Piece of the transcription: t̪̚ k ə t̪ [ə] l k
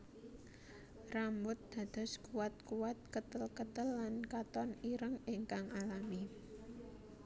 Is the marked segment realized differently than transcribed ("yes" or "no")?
no